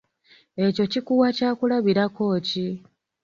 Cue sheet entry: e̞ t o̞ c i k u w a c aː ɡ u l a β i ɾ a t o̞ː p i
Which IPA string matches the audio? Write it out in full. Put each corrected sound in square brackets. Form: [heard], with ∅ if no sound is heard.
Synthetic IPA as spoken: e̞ [c] o̞ c i k u w a c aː [k] u l a β i ɾ a [k] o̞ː [c] i

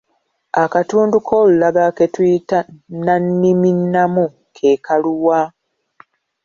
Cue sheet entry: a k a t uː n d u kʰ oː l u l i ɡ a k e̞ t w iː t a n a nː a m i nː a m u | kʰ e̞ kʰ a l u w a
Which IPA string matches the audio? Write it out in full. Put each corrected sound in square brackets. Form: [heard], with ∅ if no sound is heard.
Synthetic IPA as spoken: a k a t uː n d u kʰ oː l u l [a] ɡ a k e̞ t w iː t a n a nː [i] m i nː a m u | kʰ e̞ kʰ a l u w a

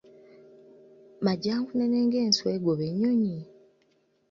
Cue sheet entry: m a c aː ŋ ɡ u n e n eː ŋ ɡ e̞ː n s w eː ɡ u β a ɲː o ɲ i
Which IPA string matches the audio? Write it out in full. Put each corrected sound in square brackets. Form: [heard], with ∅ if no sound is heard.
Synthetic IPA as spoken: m a [ɟ] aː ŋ [k] u n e n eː ŋ ɡ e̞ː n s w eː ɡ [o] β [e] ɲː o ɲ i

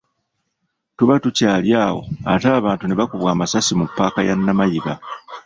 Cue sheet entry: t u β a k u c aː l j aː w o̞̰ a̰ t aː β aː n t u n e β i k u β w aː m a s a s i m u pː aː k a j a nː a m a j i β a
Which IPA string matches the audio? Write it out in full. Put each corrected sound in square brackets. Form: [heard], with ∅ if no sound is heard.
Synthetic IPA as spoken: t u β a [t] u c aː l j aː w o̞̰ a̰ t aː β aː n t u n e β [a] k u β w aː m a s a s i m u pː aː k a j a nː a m a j i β a

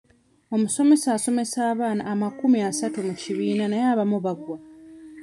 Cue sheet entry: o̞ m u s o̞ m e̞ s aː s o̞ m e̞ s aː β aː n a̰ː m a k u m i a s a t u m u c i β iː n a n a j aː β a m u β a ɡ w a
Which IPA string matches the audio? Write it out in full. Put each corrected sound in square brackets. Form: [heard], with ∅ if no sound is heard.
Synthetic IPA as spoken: o̞ m u s o̞ m e̞ s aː s o̞ m e̞ s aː β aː n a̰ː m a k u m i a s a t u m u c i β iː n a n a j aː β a m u β a ɡ w a

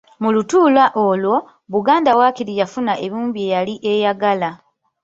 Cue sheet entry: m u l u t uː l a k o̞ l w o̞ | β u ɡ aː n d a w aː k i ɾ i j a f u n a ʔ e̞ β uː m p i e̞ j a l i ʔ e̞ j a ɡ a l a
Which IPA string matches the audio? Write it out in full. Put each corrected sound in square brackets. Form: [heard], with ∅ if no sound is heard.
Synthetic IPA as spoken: m u l u t uː l a [ʔ] o̞ l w o̞ | β u ɡ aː n d a w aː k i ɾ i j a f u n a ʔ e̞ β uː m [b] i e̞ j a l i ʔ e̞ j a ɡ a l a

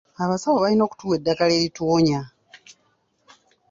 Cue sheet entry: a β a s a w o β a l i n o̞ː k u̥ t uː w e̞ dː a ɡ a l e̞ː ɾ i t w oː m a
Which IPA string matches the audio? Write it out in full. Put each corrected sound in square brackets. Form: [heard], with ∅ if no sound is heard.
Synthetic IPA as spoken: a β a s a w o β a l i n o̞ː k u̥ t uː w e̞ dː a [k] a l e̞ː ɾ i t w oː [ɲ] a

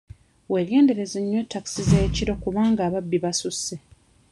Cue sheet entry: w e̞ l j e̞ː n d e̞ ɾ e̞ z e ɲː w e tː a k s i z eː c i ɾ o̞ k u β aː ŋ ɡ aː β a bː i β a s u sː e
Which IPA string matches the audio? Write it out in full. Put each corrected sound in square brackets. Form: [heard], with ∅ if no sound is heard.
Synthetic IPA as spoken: w e̞ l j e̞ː n d e̞ ɾ e̞ z e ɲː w e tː a k s i z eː c i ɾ o̞ k u β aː ŋ ɡ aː β a bː i β a s u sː e

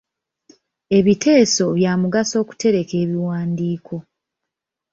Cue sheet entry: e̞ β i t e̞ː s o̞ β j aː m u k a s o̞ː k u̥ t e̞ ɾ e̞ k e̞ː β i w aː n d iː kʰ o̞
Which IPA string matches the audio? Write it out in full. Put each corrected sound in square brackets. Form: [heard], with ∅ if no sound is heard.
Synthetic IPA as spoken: e̞ β i t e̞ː s o̞ β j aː m u [ɡ] a s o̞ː k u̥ t e̞ ɾ e̞ k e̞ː β i w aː n d iː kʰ o̞

